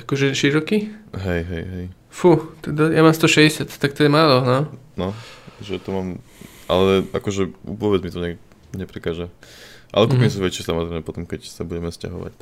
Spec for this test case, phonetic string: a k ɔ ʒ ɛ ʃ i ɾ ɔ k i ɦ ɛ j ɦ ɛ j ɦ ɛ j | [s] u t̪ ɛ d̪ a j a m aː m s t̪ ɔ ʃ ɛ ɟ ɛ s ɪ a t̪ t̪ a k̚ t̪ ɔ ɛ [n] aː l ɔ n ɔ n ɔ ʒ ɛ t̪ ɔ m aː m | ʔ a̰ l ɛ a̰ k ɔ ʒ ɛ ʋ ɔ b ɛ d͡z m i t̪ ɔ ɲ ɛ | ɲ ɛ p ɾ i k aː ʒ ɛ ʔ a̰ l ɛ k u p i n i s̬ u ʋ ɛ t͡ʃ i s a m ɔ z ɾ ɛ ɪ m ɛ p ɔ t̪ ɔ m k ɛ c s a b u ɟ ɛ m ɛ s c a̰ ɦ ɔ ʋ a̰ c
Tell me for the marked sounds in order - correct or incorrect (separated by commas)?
incorrect, incorrect